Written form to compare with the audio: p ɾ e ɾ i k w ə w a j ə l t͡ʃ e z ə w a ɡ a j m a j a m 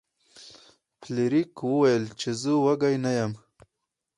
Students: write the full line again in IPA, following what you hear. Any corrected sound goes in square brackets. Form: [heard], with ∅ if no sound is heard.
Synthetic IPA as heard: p [l] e ɾ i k w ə w a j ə l t͡ʃ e z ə w a ɡ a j [n] a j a m